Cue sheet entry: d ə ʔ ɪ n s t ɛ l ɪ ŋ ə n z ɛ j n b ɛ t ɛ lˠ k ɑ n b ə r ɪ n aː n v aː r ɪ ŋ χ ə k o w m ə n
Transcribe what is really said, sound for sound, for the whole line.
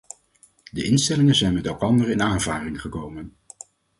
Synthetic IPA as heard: d ə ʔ ɪ n s t ɛ l ɪ ŋ ə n z ɛ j n m ɛ t ɛ lˠ k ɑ n d ə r ɪ n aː n v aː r ɪ ŋ χ ə k o w m ə n